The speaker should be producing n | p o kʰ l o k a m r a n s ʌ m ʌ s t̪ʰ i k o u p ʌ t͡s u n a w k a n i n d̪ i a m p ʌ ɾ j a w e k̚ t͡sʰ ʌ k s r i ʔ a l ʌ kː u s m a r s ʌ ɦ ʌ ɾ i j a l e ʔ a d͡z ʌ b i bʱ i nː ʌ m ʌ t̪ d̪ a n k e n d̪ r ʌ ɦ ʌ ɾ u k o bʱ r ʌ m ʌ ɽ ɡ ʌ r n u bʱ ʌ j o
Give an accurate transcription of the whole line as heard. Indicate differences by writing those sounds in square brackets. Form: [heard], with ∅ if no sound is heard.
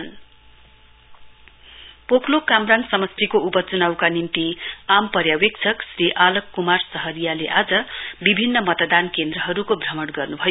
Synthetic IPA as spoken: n | p o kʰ l o k a m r a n s ʌ m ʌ s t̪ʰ i k o u p ʌ t͡s u n a w k a n i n [t̪] i a m p ʌ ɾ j a w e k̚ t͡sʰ ʌ k s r i ʔ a l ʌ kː u [∅] m a r s ʌ ɦ ʌ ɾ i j a l e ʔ a d͡z ʌ b i bʱ i nː ʌ m ʌ t̪ d̪ a n k e n d̪ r ʌ ɦ ʌ ɾ u k o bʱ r ʌ m ʌ ɽ ɡ ʌ r n u bʱ ʌ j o